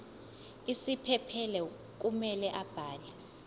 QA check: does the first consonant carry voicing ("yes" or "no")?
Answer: no